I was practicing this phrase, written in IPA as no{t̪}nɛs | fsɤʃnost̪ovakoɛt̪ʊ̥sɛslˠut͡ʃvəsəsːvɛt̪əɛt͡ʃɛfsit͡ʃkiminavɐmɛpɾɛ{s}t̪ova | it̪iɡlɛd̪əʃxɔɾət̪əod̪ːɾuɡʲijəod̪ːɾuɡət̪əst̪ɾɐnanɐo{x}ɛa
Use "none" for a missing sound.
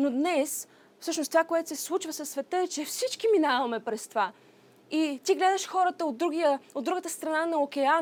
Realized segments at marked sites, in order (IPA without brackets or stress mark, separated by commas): d̪, s, k